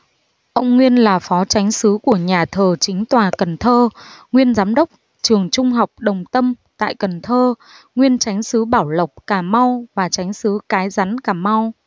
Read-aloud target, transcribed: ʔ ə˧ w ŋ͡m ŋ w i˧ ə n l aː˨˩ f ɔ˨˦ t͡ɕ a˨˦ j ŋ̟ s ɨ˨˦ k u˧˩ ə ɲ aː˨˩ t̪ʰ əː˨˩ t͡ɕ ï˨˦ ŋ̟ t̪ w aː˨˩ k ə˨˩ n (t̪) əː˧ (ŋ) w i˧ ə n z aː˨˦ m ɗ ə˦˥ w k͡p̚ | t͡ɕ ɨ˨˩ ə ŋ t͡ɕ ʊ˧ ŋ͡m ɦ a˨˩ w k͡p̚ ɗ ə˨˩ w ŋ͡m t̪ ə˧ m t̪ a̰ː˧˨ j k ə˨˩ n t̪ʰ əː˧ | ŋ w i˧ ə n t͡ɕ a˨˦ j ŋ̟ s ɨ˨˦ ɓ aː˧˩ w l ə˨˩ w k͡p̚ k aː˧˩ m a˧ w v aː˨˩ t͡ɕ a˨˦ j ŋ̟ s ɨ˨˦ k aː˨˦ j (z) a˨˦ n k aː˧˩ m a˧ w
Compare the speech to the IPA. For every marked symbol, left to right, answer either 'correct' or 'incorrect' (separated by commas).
incorrect, correct, correct